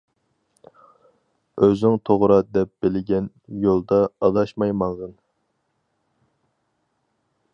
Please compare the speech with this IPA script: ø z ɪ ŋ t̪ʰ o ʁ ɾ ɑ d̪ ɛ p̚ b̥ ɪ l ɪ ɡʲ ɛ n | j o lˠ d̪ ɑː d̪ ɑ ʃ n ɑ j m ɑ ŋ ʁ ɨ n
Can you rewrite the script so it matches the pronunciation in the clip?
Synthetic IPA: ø z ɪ ŋ t̪ʰ o ʁ ɾ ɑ d̪ ɛ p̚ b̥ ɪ l ɪ ɡʲ ɛ n | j o lˠ d̪ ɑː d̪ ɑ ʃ m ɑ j m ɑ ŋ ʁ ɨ n